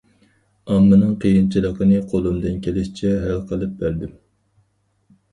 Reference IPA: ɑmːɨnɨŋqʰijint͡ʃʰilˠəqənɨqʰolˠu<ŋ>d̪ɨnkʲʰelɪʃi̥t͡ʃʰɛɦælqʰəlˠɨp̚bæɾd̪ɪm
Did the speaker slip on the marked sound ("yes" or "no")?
yes